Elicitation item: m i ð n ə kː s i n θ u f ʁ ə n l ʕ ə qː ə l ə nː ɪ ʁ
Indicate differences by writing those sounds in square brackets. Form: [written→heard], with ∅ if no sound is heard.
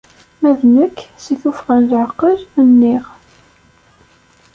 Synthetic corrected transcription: m [i→æ] ð n ə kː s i [n→∅] θ u f ʁ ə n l ʕ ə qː ə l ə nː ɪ ʁ